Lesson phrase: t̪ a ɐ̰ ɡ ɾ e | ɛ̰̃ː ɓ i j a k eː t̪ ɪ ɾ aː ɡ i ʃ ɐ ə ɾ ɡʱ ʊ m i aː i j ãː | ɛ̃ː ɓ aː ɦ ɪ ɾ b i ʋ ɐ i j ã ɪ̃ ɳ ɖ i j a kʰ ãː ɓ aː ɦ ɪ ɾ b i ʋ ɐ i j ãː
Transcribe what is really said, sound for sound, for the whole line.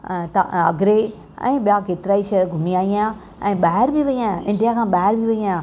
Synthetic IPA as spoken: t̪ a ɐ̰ ɡ ɾ e | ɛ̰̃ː ɓ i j a k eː t̪ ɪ ɾ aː i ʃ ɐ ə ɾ ɡʱ ʊ m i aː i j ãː | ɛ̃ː ɓ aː ɦ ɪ ɾ b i ʋ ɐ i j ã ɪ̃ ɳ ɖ i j a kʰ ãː ɓ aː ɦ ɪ ɾ b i ʋ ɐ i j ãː

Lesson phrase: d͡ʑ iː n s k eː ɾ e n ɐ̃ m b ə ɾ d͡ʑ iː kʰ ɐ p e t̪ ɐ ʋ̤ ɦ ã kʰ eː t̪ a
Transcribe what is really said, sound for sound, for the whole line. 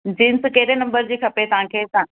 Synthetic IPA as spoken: d͡ʑ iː n s k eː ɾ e n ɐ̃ m b ə ɾ d͡ʑ iː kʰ ɐ p e t̪ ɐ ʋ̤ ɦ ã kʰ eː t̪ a

